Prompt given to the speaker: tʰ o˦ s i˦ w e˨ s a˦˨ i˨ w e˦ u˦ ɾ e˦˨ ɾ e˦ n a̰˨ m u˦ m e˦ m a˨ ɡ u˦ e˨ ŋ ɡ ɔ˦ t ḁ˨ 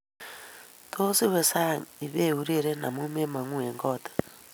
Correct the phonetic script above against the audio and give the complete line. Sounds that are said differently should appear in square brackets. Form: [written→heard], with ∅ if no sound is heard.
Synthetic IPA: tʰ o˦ s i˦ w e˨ s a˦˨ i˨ [w→β] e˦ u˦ ɾ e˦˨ ɾ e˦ n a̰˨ m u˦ m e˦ m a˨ [ɡ→ŋ] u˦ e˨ ŋ ɡ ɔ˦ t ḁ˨

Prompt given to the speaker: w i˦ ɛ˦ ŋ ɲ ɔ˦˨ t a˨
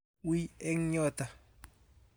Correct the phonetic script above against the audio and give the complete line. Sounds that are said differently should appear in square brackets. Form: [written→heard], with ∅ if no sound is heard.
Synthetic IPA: w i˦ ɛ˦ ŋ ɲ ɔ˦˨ t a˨

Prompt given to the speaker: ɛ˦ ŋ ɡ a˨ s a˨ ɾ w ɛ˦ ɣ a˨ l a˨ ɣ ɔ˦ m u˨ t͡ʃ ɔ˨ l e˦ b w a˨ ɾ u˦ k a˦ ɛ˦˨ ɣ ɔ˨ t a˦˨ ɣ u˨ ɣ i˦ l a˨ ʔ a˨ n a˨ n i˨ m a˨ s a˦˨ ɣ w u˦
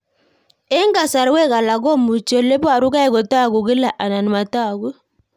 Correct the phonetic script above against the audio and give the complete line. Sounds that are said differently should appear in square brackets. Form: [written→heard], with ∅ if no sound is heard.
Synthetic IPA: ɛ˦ ŋ ɡ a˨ s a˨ ɾ w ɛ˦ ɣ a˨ l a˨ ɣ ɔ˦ m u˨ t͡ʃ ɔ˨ l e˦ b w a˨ ɾ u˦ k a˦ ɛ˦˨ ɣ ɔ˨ t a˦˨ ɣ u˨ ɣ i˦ l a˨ ʔ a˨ n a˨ n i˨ m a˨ [s→t] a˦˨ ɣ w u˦

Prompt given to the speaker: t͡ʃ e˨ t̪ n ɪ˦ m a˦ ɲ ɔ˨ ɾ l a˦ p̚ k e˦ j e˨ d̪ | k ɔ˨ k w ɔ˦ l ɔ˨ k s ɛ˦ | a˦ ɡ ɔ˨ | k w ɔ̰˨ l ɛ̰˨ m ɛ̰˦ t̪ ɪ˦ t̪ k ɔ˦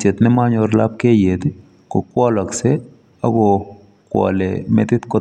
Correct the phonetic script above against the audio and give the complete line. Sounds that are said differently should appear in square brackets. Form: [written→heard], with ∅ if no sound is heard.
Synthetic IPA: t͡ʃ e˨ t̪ n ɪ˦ m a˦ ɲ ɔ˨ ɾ l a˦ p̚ k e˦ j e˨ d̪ | k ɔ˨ k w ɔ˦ l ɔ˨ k s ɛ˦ | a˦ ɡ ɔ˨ | k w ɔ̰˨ l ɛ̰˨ m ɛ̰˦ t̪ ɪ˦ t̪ k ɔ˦

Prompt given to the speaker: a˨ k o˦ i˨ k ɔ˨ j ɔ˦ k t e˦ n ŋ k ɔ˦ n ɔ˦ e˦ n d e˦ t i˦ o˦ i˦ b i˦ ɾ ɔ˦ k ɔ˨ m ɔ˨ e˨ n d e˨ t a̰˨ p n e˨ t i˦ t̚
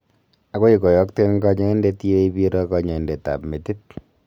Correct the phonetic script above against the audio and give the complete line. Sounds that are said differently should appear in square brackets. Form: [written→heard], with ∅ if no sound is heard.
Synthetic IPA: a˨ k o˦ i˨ k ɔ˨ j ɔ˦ k t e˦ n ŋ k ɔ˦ [n→ɲ] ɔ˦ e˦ n d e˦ t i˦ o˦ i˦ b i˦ ɾ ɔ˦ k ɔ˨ [m→ɲ] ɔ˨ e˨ n d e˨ t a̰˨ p [n→m] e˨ t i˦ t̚

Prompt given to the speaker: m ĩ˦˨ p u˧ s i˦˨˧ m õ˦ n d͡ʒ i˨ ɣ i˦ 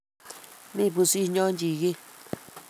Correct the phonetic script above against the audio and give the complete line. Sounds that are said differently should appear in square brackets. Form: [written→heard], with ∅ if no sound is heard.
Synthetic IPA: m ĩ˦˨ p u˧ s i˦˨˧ [m→ɲ] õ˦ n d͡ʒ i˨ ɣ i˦

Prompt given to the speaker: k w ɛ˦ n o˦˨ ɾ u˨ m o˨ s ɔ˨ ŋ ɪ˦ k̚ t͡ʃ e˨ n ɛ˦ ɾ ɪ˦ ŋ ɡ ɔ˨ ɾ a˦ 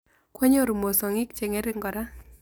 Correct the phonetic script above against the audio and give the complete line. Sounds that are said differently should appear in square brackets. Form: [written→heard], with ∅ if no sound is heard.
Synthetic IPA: k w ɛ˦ [n→ɲ] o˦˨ ɾ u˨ m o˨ s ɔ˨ ŋ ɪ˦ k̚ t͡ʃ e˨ [n→ŋ] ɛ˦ ɾ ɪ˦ ŋ ɡ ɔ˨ ɾ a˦

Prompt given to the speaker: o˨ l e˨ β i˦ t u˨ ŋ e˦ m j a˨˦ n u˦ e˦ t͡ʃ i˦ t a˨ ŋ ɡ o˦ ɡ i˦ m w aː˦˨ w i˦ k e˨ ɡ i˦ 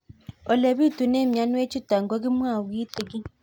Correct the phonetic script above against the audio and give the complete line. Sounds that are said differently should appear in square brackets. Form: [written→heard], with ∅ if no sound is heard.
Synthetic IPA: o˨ l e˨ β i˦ t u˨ [ŋ→n] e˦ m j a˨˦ n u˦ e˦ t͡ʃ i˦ t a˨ ŋ ɡ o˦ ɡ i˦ m w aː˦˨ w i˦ [k→t] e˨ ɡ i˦

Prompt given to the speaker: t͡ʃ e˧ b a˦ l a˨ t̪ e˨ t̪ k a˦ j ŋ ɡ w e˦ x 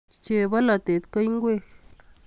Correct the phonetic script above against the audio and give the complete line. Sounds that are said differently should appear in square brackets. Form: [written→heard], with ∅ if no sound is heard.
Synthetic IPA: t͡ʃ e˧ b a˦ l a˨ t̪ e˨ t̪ k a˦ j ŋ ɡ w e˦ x

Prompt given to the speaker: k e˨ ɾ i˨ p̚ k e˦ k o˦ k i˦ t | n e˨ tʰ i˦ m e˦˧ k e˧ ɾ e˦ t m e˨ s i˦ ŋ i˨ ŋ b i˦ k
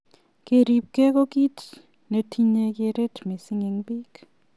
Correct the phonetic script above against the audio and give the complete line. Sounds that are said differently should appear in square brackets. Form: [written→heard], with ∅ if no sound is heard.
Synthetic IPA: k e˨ ɾ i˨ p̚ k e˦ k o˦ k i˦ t | n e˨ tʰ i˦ [m→ɲ] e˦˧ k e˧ ɾ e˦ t m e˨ s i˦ ŋ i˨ ŋ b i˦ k

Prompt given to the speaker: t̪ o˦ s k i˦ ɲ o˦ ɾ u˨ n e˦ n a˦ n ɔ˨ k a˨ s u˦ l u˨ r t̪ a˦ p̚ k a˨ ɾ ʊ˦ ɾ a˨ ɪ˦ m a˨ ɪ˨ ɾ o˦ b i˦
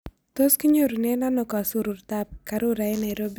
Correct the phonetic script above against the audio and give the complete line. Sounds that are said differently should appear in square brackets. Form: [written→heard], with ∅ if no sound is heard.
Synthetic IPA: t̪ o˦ s k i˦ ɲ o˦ ɾ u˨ n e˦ n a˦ n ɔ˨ k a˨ s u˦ [l→ɾ] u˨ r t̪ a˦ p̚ k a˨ ɾ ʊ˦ ɾ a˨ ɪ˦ [m→n] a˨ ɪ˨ ɾ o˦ b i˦

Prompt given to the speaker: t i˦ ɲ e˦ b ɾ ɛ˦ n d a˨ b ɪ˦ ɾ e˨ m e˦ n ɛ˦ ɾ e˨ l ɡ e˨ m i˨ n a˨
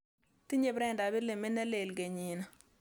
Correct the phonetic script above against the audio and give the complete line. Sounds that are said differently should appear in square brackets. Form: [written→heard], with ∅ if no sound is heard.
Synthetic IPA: t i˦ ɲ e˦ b ɾ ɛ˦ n d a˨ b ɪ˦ [ɾ→l] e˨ m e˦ n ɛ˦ [ɾ→l] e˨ l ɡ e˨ [m→ɲ] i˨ n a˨

